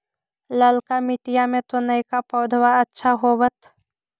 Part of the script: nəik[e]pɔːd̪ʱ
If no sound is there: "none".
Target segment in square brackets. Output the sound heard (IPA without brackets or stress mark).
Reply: a